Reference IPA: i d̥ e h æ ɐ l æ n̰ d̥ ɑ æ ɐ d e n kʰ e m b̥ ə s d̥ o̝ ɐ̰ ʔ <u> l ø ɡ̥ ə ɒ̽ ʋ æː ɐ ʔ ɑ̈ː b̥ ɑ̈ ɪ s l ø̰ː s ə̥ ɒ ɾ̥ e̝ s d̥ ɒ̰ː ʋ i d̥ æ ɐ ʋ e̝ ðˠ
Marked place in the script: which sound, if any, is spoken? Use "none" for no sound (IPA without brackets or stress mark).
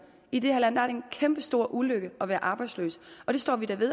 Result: u